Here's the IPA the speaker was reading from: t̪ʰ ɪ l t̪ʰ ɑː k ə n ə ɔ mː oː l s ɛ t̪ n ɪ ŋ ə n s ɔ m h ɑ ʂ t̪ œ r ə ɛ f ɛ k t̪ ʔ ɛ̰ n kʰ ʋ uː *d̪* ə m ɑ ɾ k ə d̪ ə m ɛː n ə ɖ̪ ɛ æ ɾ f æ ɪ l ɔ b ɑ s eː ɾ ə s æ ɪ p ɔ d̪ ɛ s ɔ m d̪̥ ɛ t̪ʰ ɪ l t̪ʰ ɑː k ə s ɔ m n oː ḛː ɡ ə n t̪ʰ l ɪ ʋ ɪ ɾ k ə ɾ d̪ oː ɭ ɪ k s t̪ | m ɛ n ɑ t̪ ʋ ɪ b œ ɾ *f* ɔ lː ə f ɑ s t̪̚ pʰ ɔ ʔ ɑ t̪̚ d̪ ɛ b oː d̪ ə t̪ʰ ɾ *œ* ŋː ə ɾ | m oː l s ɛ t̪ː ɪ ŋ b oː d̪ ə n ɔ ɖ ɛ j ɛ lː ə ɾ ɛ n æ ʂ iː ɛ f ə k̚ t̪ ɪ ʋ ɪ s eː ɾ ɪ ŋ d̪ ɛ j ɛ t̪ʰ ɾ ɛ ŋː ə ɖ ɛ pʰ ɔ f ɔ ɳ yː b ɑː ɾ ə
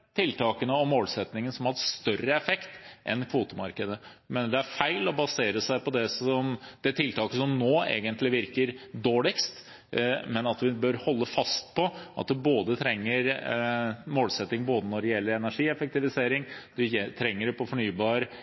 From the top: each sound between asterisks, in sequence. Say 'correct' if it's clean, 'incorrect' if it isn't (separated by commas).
incorrect, incorrect, incorrect